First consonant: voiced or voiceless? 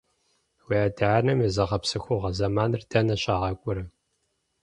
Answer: voiced